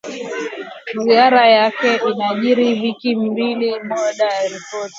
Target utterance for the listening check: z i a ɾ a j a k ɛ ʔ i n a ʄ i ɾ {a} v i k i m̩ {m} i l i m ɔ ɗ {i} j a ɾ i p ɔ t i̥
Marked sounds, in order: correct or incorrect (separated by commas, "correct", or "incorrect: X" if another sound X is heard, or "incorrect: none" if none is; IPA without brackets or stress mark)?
incorrect: i, incorrect: b, incorrect: a